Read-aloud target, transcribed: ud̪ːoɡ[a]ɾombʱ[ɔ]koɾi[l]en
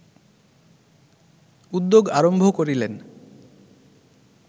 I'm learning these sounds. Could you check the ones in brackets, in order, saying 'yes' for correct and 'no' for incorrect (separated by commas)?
yes, no, yes